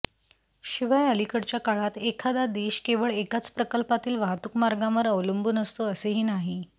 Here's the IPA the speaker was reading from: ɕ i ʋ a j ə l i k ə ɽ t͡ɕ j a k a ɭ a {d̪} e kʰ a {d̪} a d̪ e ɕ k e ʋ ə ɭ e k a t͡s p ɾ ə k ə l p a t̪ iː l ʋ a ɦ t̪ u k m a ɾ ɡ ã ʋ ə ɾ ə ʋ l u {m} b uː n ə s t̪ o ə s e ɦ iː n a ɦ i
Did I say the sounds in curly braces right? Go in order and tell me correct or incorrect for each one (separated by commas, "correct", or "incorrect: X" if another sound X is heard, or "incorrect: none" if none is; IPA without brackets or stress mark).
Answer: incorrect: t̪, correct, correct